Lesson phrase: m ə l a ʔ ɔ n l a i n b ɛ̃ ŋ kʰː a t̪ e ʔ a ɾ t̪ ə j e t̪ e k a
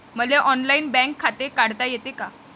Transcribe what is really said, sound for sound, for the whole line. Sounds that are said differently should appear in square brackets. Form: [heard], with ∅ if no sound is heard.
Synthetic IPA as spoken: m ə l [e] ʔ ɔ n l a i n b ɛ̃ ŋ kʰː a t̪ e [k] a [ɽ] t̪ [a] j e t̪ e k a